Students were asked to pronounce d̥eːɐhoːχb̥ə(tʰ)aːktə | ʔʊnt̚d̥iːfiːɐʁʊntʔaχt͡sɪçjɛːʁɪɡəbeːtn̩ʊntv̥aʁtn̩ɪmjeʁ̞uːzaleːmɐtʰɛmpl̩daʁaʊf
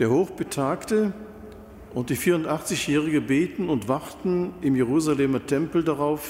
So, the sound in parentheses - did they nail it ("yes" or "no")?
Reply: yes